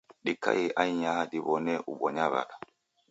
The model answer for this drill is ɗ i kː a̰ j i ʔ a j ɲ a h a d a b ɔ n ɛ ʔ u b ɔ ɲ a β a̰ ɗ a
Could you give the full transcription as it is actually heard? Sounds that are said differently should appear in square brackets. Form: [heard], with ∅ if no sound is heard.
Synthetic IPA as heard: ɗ i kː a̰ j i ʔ a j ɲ a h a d [i] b ɔ n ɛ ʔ u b ɔ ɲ a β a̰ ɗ a